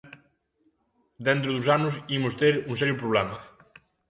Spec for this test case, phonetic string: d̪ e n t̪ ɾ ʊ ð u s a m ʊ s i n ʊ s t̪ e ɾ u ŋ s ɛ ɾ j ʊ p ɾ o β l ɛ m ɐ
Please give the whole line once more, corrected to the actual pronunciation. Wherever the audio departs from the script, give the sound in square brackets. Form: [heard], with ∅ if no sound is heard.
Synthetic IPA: d̪ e n t̪ ɾ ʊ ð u s a [n] ʊ s i [m] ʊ s t̪ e ɾ u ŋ s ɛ ɾ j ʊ p ɾ o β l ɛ m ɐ